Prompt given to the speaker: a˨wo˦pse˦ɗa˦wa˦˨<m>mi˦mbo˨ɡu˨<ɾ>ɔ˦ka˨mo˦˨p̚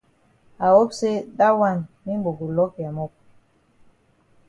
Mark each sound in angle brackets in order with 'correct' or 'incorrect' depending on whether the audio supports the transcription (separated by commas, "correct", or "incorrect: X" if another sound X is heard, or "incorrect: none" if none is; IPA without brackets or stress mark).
incorrect: n, incorrect: l